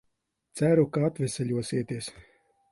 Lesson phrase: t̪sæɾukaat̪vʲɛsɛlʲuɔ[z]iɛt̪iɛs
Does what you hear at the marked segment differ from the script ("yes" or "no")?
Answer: yes